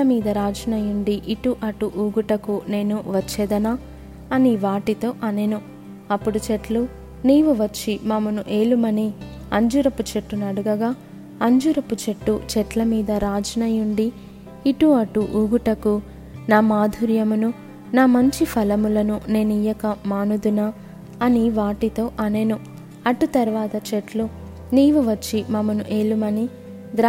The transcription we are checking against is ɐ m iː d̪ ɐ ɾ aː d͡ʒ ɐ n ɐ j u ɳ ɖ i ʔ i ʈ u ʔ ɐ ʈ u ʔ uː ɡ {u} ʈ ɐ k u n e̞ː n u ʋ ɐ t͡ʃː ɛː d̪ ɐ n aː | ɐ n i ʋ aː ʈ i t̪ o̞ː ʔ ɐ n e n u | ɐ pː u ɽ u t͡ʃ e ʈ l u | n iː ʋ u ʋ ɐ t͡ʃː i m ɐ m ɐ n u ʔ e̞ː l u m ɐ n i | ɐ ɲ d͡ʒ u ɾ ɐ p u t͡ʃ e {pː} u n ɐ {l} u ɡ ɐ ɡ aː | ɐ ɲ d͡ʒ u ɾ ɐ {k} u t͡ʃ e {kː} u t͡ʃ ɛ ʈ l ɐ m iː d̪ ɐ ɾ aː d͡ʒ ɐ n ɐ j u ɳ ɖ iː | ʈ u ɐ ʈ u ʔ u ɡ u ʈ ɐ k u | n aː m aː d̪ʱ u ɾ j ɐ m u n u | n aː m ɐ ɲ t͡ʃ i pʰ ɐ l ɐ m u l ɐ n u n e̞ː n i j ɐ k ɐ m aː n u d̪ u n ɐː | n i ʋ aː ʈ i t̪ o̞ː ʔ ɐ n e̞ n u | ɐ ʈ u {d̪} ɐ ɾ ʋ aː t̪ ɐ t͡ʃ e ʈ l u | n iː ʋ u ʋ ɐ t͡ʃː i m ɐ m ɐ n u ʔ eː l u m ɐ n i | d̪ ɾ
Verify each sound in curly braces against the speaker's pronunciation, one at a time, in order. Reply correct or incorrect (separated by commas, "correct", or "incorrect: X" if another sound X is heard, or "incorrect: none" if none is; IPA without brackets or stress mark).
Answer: correct, incorrect: ʈː, incorrect: ɽ, incorrect: p, incorrect: ʈː, incorrect: t̪